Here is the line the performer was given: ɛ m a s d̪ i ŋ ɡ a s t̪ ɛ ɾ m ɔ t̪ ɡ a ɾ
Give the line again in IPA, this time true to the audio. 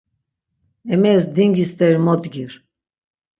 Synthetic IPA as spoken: ɛ m ɛ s d̪ i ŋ ɡ i s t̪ ɛ ɾ m ɔ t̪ ɡ i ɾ